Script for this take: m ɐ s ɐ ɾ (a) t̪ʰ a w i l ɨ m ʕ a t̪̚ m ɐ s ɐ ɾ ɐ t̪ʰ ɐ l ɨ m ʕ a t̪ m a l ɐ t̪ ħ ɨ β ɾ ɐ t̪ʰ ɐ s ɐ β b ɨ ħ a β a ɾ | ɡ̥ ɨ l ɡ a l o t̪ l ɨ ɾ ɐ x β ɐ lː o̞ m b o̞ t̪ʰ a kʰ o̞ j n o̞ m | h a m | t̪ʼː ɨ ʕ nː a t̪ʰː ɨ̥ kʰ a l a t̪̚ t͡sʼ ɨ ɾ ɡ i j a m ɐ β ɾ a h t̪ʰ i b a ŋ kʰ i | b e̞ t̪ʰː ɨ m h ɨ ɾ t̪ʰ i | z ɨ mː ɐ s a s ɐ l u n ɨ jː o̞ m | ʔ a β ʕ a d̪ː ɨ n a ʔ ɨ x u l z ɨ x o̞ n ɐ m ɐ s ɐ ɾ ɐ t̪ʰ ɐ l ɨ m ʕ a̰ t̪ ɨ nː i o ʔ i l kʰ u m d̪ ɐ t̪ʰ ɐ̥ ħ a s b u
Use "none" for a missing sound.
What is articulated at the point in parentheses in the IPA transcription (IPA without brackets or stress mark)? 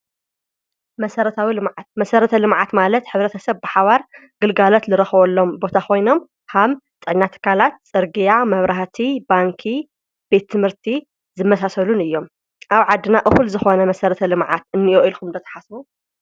ɐ